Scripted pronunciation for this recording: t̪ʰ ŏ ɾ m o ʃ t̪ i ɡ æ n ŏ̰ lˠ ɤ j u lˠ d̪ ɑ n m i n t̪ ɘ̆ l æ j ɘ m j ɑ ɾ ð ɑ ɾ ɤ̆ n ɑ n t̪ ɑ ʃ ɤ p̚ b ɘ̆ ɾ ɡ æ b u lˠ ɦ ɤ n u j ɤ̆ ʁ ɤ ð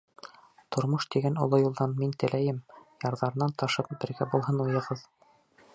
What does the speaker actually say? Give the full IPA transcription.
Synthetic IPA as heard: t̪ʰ ŏ ɾ m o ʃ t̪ i ɡ æ n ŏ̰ lˠ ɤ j u lˠ d̪ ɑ n m i n t̪ ɘ̆ l æ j ɘ m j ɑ ɾ ð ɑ ɾ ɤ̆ n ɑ n t̪ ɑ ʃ ɤ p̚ b ɘ̆ ɾ ɡ æ b u lˠ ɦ ɤ n u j ɤ̆ ʁ ɤ ð